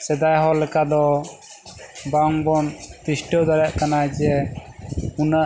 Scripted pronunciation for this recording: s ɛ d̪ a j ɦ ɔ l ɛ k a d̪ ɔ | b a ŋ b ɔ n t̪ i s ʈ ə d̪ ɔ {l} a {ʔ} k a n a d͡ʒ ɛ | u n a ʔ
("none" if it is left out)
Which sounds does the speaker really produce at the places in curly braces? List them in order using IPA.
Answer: ɾ, ʔ

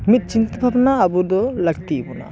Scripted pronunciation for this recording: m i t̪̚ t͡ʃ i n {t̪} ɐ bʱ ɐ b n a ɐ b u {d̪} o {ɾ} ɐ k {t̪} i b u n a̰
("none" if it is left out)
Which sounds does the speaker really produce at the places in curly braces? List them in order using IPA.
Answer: t̪, d̪, l, t̪

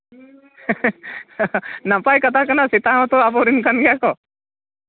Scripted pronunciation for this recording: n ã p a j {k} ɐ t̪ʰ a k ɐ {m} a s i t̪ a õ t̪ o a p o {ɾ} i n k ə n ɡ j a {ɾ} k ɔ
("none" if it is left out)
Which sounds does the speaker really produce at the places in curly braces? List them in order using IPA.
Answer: k, n, ɾ, none

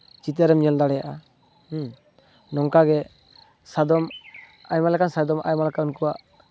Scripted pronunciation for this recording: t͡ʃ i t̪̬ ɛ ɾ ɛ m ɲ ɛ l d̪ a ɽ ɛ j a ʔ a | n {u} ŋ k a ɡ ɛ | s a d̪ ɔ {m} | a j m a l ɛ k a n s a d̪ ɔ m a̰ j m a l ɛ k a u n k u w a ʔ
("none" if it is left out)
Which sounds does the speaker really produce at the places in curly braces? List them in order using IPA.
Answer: ɔ, m

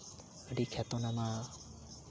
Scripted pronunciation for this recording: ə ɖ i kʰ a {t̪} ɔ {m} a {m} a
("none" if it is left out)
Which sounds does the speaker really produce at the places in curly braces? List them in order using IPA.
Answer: t̪, n, m

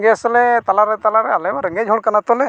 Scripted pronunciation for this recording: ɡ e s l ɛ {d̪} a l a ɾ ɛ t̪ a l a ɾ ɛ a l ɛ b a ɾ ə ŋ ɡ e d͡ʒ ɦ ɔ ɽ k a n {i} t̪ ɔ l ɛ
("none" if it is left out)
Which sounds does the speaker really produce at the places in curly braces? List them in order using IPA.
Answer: t̪, a

